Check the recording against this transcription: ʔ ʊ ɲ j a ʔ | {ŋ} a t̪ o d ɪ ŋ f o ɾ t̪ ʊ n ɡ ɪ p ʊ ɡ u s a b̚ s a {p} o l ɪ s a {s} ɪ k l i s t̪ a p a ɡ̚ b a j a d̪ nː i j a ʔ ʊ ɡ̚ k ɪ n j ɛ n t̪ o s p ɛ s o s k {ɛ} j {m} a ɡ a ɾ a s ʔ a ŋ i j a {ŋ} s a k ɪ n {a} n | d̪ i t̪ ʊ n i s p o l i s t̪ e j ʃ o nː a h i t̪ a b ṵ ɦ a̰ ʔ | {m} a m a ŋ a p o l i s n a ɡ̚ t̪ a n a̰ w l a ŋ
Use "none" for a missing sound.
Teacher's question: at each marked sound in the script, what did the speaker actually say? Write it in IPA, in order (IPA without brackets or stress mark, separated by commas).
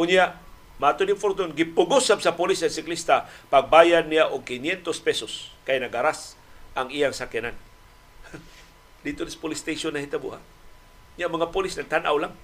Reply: m, p, s, a, n, ŋ, a, ɲ